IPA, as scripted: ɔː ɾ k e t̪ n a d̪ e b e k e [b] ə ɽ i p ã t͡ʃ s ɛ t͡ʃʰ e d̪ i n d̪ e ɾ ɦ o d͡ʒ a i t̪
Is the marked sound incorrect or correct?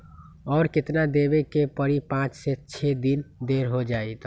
incorrect